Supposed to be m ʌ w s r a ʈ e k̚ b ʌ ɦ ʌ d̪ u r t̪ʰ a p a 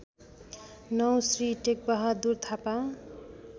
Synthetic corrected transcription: n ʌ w s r i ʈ e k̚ b ʌ ɦ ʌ d̪ u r t̪ʰ a p a